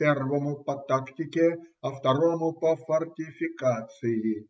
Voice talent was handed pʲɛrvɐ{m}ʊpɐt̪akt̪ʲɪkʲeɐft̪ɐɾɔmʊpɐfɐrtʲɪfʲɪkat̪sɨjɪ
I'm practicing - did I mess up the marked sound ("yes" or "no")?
no